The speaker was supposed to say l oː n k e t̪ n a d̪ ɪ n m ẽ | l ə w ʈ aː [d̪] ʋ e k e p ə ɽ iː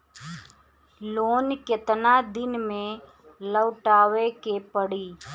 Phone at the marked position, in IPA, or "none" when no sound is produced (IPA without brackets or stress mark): none